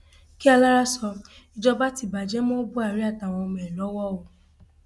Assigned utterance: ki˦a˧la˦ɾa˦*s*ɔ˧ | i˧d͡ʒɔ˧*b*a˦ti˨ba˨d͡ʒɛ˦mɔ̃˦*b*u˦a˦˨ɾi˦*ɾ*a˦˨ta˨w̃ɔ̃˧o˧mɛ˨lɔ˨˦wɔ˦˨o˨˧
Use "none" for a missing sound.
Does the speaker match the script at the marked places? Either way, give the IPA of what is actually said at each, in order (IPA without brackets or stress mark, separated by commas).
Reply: s, b, b, none